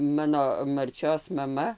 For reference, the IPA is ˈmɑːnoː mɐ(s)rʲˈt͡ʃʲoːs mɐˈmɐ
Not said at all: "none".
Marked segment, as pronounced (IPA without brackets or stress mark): none